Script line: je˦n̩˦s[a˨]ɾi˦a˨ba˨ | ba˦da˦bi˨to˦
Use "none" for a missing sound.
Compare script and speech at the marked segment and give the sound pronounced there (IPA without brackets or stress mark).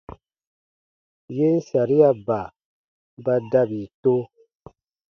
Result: a˨